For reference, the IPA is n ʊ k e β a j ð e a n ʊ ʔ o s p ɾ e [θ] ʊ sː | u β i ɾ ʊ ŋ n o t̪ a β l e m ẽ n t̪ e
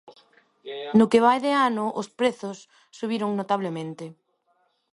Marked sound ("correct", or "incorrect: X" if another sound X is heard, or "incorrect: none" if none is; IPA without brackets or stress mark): correct